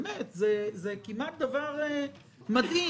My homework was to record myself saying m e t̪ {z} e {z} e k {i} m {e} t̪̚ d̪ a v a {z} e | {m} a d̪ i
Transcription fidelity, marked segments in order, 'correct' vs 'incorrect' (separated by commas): correct, correct, correct, incorrect, incorrect, correct